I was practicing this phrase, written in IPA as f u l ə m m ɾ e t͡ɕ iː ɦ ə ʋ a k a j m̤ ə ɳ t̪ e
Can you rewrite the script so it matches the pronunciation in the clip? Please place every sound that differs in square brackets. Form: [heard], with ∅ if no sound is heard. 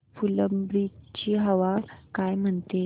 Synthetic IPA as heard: f u l ə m [b] ɾ [i] t͡ɕ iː ɦ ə ʋ a k a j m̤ ə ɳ t̪ e